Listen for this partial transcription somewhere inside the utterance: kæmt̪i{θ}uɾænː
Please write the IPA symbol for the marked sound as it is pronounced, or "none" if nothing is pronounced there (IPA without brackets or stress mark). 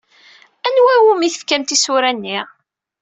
s